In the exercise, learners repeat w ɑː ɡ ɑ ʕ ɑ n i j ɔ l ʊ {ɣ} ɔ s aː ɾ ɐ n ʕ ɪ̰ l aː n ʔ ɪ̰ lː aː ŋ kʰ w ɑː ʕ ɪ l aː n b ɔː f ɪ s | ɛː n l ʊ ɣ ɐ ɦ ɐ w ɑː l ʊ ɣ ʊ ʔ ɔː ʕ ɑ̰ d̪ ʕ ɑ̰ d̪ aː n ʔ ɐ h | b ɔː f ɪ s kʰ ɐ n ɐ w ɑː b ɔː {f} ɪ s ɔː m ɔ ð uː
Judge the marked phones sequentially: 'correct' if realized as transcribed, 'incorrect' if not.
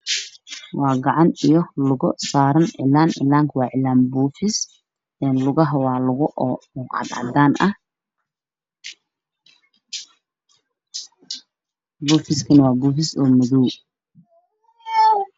correct, correct

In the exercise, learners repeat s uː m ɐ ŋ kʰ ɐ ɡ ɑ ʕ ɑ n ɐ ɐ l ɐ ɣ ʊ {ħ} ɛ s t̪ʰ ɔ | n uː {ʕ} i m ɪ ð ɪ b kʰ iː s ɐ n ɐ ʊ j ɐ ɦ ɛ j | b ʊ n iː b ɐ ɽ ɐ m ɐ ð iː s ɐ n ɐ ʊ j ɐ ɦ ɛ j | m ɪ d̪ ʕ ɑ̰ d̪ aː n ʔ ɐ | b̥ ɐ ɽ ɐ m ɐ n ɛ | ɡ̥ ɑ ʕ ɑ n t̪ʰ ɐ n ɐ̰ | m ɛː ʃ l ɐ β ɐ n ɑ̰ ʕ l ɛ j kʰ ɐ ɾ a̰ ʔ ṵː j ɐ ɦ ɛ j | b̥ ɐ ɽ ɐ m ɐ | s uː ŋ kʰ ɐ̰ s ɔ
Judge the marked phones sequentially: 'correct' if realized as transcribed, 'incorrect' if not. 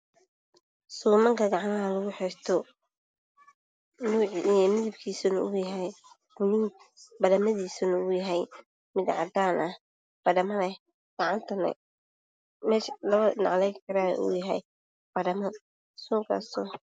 correct, correct

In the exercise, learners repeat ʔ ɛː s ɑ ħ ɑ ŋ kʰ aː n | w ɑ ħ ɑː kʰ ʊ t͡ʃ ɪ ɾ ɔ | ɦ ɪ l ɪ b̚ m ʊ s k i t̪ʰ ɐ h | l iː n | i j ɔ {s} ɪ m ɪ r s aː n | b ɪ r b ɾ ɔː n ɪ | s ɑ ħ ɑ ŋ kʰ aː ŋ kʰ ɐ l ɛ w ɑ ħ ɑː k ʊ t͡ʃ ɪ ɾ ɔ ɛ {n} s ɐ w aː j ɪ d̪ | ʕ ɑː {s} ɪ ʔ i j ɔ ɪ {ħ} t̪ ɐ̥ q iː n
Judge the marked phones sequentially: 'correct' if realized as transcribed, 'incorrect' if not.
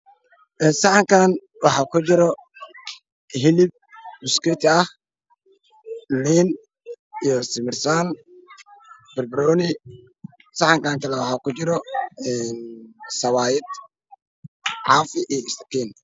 correct, correct, incorrect: f, incorrect: s

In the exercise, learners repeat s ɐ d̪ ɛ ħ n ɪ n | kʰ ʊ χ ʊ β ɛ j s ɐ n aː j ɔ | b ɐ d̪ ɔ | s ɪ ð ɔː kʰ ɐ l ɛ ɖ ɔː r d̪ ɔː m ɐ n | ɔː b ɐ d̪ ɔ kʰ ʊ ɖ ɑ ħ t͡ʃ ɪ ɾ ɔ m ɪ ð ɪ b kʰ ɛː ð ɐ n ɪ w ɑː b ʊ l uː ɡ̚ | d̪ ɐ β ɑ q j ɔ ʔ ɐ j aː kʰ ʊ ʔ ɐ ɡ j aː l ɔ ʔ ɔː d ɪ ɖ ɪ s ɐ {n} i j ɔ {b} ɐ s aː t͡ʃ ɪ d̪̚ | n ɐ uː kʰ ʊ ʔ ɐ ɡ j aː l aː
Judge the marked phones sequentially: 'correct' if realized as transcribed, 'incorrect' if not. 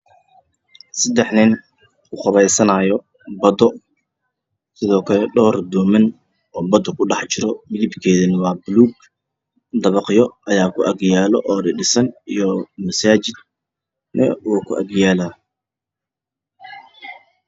correct, incorrect: m

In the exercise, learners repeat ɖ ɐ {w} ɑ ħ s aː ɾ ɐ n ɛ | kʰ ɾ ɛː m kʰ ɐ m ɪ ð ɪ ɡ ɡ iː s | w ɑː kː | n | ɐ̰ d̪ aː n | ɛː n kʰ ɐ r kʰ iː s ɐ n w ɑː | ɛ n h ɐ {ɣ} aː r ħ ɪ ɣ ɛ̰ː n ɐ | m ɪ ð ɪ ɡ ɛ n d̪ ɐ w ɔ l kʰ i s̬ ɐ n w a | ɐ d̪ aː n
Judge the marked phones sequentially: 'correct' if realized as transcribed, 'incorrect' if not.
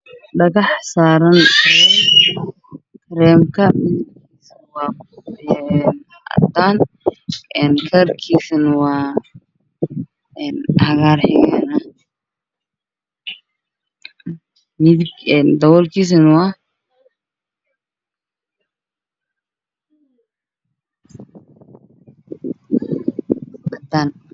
incorrect: ɣ, correct

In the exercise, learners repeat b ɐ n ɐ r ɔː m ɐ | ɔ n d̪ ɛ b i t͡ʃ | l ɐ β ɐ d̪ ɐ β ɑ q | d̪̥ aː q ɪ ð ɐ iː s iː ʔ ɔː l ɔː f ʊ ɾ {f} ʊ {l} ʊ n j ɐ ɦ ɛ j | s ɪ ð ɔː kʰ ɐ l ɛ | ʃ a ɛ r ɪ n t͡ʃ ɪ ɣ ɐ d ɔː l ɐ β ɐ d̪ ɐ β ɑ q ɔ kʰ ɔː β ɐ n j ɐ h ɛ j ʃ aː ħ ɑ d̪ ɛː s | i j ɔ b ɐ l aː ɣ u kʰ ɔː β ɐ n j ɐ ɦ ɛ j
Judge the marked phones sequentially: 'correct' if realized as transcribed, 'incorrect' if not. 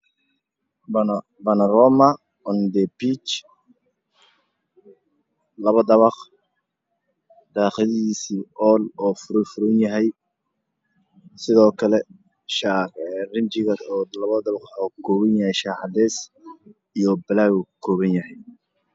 correct, incorrect: ɾ

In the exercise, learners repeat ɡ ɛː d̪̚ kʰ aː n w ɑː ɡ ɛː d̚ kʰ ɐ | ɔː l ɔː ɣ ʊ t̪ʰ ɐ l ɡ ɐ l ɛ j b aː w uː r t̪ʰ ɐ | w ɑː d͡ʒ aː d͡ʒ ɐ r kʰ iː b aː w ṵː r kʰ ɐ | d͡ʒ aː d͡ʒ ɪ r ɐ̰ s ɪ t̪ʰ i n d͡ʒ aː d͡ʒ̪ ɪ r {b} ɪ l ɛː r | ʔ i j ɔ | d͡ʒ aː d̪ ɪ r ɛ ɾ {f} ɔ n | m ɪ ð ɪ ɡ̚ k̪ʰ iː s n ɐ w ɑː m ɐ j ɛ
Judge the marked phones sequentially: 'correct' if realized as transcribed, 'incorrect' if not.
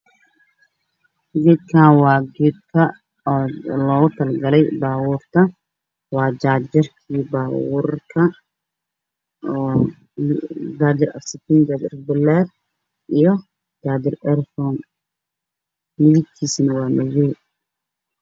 correct, correct

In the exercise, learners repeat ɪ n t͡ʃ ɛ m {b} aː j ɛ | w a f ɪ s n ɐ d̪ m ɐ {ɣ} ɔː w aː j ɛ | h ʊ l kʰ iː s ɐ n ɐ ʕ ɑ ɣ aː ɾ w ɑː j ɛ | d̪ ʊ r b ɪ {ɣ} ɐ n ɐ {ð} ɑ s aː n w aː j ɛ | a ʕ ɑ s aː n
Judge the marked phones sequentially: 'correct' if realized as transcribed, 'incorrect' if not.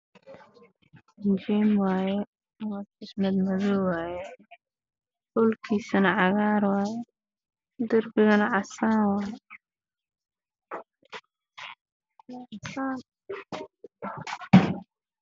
incorrect: w, incorrect: ð, correct, incorrect: ʕ

